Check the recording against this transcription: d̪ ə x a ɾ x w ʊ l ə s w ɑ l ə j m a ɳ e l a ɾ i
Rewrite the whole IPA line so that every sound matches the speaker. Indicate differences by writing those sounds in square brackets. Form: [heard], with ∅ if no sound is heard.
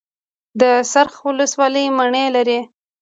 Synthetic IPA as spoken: d̪ ə [s] a ɾ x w ʊ l ə s w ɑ l ə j m a ɳ e l a ɾ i

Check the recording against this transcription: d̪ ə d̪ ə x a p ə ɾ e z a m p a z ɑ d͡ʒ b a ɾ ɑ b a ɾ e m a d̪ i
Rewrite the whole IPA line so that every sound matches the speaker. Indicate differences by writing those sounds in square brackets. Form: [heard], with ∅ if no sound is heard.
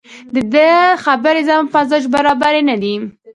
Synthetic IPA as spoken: d̪ ə d̪ ə x a [b] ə ɾ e z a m p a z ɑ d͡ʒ b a ɾ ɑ b a ɾ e [n] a d̪ i

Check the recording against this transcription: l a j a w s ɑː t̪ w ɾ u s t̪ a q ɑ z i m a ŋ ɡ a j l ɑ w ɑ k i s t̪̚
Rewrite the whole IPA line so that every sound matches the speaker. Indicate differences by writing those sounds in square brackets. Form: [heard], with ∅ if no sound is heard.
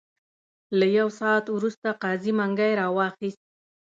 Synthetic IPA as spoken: l a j a w s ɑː t̪ w ɾ u s t̪ a q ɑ z i m a ŋ ɡ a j [ɾ] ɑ w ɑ [x] i s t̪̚

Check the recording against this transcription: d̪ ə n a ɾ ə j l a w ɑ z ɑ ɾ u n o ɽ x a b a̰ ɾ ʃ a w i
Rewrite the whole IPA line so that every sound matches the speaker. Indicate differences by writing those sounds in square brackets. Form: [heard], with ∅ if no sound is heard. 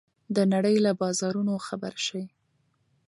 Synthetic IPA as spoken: d̪ ə n a [ɽ] ə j l a [b] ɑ z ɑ ɾ u n o [∅] x a b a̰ ɾ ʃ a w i

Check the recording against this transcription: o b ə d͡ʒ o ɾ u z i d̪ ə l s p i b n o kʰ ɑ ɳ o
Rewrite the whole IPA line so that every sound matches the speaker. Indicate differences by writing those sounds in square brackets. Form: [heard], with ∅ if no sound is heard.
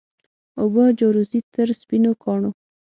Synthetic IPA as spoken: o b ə d͡ʒ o ɾ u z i [t̪] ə [ɾ] s p i [∅] n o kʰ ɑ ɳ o

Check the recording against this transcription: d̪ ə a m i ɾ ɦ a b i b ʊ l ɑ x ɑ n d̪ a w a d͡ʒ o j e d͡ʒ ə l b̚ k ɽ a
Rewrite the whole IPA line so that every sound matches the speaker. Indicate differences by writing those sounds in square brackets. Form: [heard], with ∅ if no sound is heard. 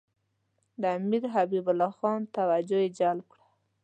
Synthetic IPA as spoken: d̪ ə a m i ɾ ɦ a b i b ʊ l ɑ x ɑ n [t̪] a w a d͡ʒ o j e d͡ʒ [a] l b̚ k ɽ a

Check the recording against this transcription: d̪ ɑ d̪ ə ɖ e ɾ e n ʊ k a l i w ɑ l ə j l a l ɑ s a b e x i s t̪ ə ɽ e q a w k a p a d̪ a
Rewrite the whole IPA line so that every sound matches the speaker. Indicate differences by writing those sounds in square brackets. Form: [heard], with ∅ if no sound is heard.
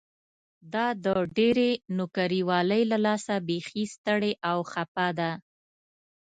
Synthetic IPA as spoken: d̪ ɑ d̪ ə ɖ e ɾ e n ʊ k a [ɾ] i w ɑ l ə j l a l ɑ s a b e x i s t̪ ə ɽ e [ʔ] a w [x] a p a d̪ a

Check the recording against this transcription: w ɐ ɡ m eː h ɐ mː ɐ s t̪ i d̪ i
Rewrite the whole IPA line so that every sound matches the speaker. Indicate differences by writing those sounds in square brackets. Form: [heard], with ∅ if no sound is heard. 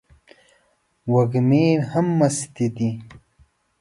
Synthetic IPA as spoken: w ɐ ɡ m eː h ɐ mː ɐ s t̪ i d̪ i

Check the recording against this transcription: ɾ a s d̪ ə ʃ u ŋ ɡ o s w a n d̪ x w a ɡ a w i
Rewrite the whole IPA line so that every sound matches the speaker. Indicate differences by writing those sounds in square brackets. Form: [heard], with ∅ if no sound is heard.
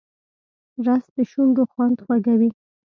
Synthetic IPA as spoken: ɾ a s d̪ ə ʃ u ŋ ɡ o [x] w a n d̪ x w a ɡ a w i

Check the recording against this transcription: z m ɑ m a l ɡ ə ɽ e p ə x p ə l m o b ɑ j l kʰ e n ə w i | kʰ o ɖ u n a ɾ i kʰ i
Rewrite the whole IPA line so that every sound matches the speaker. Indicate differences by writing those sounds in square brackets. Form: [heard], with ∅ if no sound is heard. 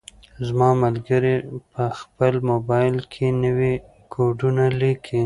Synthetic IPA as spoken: z m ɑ m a l ɡ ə [ɾ] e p ə x p ə l m o b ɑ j l kʰ e n ə w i | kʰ o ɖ u n a [l] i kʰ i

